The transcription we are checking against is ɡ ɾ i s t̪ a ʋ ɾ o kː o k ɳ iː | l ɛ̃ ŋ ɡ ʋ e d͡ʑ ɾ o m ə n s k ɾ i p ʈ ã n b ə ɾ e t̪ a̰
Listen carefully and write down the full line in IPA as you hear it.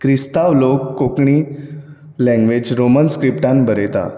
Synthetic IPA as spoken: k ɾ i s t̪ a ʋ l o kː o k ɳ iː | l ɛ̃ ŋ ɡ ʋ e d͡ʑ ɾ o m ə n s k ɾ i p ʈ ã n b ə ɾ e t̪ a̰